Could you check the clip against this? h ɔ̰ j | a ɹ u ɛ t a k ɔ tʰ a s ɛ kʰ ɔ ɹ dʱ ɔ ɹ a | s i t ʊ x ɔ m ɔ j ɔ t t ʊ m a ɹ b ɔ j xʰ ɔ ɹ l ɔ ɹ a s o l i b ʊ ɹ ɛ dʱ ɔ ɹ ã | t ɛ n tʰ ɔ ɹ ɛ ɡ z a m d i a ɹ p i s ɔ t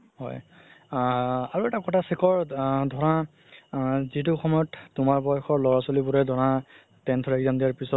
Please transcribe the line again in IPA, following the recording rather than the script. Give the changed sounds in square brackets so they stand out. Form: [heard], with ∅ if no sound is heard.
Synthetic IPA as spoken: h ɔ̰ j | a ɹ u ɛ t a k ɔ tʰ a s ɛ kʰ ɔ ɹ dʱ ɔ ɹ a | [z] i t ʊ x ɔ m ɔ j ɔ t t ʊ m a ɹ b ɔ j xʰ ɔ ɹ l ɔ ɹ a s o l i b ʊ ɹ ɛ dʱ ɔ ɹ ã | t ɛ n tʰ ɔ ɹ ɛ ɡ z a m d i a ɹ p i s ɔ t